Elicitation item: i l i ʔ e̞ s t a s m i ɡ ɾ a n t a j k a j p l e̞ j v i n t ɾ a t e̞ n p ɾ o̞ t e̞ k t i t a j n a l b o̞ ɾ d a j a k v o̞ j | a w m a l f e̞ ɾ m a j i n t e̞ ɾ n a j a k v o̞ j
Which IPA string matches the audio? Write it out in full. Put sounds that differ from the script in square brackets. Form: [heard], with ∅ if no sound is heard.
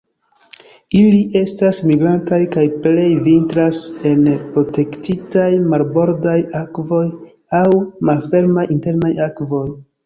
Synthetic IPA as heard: i l i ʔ e̞ s t a s m i ɡ ɾ a n t a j k a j p l e̞ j v i n t ɾ a [s] e̞ n p ɾ o̞ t e̞ k t i t a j [m] a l b o̞ ɾ d a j a k v o̞ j | a w m a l f e̞ ɾ m a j i n t e̞ ɾ n a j a k v o̞ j